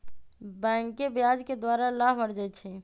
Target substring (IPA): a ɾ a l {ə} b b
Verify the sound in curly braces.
incorrect: a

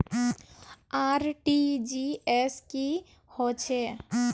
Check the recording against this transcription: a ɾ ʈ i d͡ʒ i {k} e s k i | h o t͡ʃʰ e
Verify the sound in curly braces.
incorrect: none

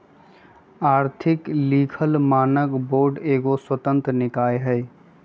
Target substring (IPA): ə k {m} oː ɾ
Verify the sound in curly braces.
incorrect: b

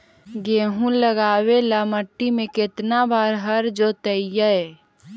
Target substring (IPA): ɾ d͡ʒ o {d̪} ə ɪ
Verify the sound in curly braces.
incorrect: t̪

